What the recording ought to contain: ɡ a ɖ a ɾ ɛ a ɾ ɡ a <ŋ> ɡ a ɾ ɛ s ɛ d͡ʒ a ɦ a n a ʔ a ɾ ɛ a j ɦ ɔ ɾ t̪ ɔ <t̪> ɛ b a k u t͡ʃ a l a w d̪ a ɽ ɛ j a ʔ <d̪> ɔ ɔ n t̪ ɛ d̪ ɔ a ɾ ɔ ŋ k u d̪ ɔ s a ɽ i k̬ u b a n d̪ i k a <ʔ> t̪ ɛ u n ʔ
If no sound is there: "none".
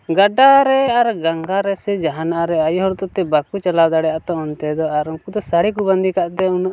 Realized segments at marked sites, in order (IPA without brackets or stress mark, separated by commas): ŋ, t̪, t̪, ʔ